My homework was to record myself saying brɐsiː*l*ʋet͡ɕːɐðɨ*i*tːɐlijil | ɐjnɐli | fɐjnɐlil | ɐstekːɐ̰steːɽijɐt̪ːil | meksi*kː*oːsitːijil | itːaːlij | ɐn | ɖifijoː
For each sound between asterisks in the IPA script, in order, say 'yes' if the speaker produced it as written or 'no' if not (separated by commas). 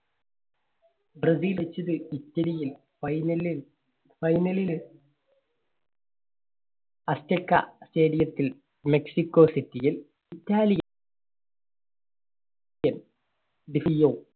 yes, yes, yes